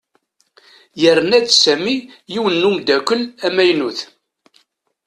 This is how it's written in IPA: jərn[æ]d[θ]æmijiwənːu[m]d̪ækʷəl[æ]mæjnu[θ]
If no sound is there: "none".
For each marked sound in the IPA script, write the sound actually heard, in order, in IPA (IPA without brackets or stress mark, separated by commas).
æ, s, m, æ, θ